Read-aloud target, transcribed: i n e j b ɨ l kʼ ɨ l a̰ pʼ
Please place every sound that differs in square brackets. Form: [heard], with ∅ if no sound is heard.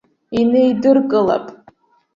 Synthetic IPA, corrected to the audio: i n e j [d] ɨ [r] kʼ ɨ l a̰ pʼ